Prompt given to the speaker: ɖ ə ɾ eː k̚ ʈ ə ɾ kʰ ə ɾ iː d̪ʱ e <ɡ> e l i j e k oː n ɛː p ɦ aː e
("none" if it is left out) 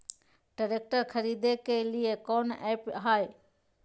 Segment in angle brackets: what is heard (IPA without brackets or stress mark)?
k